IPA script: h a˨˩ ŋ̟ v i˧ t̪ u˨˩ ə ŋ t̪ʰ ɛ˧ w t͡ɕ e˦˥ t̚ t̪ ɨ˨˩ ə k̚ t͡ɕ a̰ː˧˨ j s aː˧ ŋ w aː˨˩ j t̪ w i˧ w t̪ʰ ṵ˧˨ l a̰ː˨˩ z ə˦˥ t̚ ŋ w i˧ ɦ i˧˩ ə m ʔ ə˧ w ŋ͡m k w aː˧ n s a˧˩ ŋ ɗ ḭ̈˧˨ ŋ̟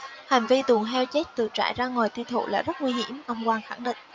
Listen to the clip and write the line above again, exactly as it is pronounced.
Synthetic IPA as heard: h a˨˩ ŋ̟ v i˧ t̪ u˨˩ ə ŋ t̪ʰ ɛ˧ w t͡ɕ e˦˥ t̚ t̪ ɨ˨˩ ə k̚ t͡ɕ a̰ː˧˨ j z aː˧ ŋ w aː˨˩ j t̪ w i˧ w t̪ʰ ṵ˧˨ l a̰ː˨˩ z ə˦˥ t̚ ŋ w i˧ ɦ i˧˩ ə m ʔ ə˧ w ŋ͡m k w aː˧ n x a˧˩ ŋ ɗ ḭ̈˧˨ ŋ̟